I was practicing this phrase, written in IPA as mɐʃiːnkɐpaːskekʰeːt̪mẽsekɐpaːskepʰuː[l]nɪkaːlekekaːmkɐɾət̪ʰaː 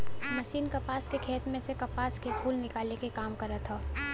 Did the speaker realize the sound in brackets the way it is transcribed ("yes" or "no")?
yes